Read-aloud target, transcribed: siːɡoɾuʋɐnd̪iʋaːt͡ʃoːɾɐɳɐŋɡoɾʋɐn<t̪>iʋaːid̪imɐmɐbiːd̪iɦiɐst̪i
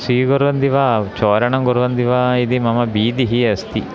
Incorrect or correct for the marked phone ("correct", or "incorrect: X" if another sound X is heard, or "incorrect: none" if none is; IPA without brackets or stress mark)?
incorrect: d̪